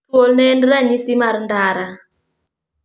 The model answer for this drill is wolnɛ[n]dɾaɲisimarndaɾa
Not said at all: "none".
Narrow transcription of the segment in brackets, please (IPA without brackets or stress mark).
n